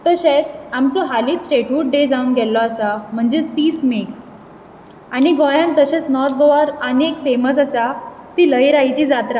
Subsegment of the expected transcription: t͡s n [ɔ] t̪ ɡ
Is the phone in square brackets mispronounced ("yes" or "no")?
no